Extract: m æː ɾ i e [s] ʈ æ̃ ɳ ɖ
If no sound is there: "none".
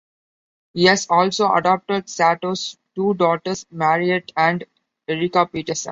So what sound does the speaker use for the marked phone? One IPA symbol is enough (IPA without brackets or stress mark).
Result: none